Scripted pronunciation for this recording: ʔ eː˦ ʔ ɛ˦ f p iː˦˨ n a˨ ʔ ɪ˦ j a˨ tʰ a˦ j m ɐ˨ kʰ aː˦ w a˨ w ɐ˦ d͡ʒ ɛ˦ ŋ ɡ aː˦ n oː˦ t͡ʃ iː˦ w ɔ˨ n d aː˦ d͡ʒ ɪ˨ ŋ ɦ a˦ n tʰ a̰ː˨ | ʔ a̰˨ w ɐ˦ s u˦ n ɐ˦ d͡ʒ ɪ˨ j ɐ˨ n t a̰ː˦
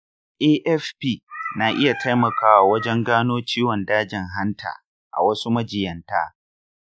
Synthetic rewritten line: ʔ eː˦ ʔ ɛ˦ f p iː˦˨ n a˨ ʔ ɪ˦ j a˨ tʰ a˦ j m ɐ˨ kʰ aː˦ w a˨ w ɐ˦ d͡ʒ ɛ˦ ŋ ɡ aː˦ n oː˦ t͡ʃ iː˦ w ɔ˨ n d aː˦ d͡ʒ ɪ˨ ŋ ɦ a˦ n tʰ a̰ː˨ | ʔ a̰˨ w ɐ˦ s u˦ m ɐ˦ d͡ʒ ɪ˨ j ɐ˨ n t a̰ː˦